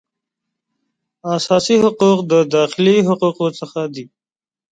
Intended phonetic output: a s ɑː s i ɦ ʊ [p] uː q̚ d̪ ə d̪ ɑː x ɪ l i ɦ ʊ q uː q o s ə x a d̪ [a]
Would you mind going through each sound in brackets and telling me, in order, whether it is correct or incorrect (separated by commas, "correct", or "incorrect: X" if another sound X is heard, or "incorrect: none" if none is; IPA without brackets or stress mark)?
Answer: incorrect: q, incorrect: i